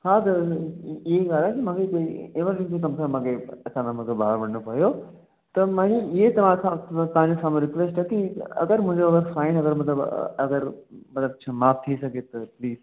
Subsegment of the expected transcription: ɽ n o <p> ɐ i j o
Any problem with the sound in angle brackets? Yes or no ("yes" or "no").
no